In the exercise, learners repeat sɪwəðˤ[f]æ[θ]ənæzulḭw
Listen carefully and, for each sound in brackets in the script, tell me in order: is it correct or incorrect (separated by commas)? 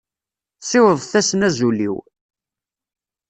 incorrect, incorrect